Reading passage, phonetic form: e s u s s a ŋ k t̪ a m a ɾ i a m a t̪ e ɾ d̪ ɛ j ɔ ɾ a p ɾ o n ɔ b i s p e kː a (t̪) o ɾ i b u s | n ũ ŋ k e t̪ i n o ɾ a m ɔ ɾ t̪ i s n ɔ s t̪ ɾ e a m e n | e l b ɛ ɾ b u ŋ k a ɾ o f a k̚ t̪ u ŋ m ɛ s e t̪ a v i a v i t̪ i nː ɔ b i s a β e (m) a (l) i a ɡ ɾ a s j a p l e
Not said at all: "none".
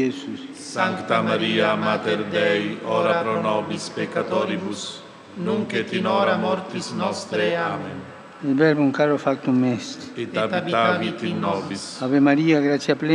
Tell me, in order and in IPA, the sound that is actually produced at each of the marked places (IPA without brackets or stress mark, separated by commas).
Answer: t̪, m, ɾ